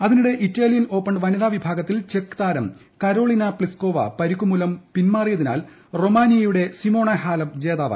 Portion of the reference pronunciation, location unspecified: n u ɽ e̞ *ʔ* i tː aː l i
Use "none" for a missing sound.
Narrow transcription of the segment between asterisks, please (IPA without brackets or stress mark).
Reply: ʔ